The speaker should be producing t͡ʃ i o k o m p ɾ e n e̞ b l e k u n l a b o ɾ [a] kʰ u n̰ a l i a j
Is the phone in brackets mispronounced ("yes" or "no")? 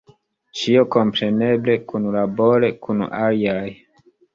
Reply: yes